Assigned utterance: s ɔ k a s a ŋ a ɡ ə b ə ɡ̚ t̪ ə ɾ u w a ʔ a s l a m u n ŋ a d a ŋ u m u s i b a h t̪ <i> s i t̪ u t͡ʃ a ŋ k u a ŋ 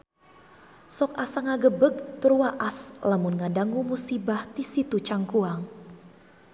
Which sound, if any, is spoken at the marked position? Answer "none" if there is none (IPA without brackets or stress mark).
i